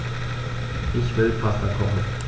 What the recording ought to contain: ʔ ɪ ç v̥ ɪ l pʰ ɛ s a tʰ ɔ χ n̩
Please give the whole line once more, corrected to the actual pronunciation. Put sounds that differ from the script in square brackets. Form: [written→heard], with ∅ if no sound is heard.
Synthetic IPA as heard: ʔ ɪ ç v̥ ɪ l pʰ [ɛ→a] s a [tʰ→kʰ] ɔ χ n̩